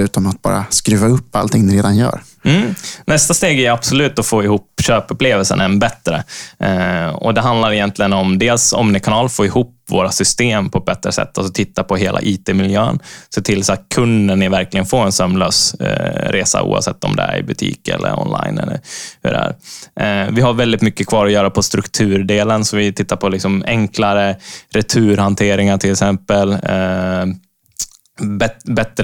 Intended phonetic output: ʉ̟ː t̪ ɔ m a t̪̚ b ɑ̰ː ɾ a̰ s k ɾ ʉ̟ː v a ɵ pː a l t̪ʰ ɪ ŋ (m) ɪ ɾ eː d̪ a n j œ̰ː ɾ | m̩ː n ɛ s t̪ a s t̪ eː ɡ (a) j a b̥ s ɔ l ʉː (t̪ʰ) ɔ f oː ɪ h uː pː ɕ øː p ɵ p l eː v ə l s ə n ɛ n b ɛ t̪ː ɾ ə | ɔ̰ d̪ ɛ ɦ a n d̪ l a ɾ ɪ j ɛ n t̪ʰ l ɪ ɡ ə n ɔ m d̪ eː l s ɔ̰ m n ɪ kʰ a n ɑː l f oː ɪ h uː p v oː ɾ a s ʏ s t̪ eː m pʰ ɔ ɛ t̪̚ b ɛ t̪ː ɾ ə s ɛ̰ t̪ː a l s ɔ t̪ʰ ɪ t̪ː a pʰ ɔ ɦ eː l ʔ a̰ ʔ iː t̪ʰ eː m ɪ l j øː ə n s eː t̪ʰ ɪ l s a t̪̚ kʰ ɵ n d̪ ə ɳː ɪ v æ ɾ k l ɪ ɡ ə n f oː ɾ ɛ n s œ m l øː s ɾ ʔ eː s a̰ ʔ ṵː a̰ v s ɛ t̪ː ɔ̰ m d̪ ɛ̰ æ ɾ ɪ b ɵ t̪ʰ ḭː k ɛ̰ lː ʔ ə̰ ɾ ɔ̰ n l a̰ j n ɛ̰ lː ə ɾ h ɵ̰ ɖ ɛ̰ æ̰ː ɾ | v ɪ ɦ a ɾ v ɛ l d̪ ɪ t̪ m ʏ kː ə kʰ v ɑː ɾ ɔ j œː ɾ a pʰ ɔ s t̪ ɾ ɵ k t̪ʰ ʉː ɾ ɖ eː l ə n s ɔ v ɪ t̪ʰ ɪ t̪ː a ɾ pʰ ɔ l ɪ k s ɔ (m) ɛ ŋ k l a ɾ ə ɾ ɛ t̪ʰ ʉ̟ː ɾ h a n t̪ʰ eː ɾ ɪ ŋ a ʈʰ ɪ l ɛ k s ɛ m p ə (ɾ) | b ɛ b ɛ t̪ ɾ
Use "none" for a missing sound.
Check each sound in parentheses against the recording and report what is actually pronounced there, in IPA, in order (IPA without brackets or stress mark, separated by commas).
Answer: n, æ, t̪, m, l